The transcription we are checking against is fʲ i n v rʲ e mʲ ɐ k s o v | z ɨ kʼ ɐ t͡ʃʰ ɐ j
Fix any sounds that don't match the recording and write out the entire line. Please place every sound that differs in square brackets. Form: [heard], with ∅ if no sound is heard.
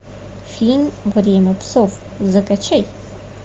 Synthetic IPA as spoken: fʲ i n v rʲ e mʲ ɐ [p] s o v | z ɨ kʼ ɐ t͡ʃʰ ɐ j